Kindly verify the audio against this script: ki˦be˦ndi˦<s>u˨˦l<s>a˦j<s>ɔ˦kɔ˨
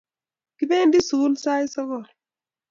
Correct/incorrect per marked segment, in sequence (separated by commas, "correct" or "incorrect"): correct, correct, correct